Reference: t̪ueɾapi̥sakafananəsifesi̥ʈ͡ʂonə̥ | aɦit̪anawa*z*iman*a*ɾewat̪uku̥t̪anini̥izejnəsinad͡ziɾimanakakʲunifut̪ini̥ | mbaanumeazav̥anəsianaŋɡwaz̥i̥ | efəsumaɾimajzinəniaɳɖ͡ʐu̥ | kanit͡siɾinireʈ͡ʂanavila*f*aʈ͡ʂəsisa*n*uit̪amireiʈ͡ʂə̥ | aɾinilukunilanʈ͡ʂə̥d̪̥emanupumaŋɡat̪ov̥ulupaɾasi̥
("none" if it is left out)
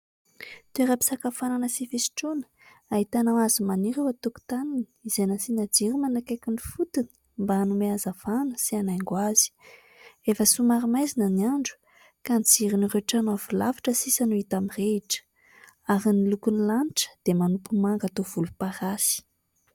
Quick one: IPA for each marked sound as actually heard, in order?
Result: z, i, v, n

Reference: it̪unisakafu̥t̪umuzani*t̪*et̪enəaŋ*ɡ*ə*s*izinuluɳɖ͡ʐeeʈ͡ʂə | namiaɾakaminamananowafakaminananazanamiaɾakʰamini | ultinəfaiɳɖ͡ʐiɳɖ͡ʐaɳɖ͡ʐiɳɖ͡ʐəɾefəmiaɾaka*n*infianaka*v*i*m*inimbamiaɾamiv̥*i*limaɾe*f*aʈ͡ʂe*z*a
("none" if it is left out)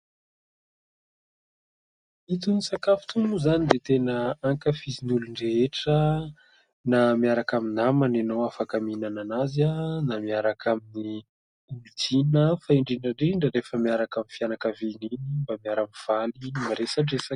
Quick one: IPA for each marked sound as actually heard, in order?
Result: d̪, k, f, m, v, n, a, s, s

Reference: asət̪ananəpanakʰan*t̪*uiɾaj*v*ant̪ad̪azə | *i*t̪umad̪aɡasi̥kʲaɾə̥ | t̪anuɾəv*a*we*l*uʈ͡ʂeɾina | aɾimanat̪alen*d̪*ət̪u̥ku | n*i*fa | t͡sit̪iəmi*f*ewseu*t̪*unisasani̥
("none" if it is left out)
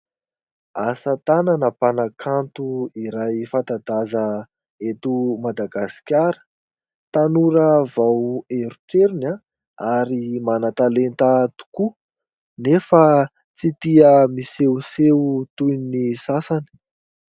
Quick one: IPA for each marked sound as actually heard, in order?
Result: t̪, f, e, a, ɾ, t̪, e, s, t̪

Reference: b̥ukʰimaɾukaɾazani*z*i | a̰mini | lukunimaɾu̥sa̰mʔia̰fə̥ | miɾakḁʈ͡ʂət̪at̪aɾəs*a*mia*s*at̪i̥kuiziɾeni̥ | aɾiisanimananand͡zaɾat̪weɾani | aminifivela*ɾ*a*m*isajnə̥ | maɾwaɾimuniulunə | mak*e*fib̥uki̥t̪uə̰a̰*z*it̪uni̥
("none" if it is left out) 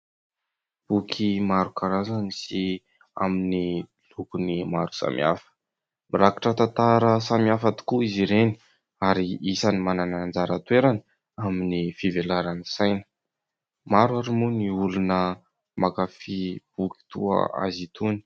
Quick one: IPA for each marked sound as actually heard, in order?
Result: s, a, f, ɾ, n, a, z

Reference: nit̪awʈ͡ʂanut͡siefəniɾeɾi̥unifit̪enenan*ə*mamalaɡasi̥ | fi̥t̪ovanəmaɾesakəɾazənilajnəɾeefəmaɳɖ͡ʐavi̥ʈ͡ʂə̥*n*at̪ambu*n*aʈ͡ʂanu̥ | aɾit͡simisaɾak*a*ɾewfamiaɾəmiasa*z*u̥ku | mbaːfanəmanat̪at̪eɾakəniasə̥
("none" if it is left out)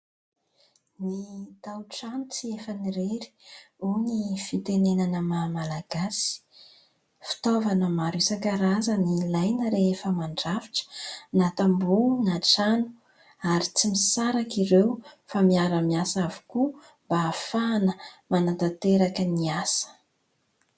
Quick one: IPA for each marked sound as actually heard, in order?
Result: ə, n, n, i, v

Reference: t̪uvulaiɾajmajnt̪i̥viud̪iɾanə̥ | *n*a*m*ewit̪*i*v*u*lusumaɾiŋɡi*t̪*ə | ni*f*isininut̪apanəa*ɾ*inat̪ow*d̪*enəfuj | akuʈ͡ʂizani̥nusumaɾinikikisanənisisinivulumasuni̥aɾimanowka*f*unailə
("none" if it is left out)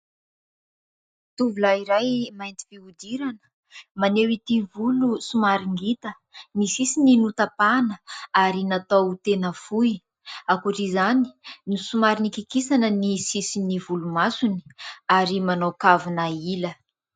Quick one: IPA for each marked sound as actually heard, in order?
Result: m, n, i, u, t̪, s, ɾ, t̪, v

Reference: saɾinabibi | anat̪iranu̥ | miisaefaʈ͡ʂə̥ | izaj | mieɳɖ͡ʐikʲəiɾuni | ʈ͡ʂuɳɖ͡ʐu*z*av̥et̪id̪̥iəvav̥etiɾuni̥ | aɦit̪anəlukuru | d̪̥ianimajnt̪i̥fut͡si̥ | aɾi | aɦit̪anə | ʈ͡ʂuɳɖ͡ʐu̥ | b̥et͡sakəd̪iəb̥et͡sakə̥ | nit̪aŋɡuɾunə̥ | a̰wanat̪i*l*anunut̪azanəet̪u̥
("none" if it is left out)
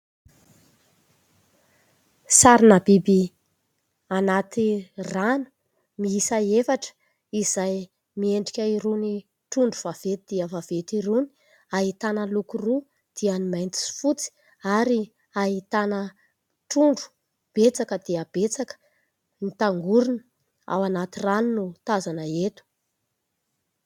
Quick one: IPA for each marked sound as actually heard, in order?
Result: v, r

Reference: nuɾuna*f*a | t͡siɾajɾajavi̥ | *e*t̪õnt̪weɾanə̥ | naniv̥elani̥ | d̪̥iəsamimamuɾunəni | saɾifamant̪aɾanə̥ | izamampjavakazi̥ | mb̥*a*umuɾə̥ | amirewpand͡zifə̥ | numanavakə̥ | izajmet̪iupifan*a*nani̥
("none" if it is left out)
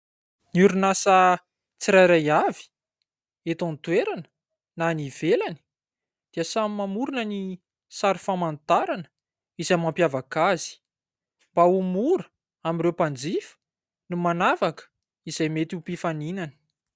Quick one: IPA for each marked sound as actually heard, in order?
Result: s, e, a, i

